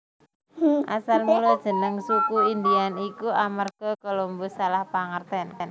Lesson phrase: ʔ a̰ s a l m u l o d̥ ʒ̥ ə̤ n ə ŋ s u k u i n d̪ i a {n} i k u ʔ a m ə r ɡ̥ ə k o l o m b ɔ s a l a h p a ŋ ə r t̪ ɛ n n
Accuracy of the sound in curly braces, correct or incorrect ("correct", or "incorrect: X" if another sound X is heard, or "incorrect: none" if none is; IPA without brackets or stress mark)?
correct